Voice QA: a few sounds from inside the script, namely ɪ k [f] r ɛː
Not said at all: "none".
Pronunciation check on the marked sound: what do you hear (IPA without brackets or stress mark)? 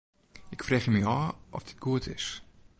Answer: f